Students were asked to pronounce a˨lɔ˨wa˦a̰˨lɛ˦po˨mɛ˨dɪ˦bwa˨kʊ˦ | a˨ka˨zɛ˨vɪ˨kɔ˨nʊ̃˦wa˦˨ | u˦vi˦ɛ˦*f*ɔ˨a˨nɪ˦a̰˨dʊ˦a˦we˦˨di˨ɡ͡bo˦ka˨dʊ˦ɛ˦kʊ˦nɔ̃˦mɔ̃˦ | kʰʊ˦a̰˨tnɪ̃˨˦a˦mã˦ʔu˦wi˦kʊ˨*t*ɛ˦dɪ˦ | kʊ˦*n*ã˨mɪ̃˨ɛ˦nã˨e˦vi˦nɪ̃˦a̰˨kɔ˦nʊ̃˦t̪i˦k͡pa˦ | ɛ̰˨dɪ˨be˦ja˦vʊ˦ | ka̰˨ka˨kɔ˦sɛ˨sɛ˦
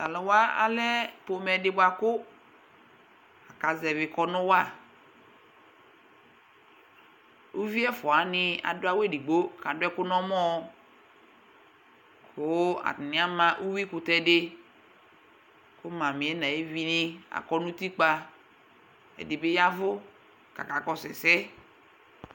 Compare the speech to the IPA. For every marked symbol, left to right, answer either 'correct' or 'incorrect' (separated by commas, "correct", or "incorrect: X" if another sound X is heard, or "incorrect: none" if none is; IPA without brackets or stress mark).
correct, correct, incorrect: m